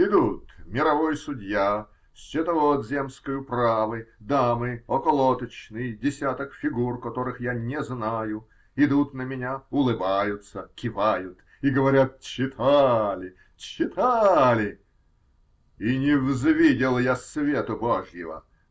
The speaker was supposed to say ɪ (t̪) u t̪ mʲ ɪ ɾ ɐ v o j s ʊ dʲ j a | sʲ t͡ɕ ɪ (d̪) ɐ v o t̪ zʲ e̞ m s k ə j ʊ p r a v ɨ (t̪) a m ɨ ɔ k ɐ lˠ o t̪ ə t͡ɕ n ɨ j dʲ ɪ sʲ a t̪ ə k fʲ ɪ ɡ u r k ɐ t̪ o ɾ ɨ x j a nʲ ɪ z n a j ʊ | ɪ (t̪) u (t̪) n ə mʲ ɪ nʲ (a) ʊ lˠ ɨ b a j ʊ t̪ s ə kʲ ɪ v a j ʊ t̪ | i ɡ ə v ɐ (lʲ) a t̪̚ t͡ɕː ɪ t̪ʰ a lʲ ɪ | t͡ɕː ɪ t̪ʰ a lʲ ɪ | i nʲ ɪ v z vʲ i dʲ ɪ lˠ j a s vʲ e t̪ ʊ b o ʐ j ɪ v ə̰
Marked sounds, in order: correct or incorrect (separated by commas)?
incorrect, incorrect, incorrect, incorrect, correct, correct, incorrect